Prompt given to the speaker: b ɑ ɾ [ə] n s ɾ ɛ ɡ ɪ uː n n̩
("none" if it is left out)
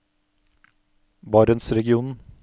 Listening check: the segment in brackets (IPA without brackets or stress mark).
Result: ə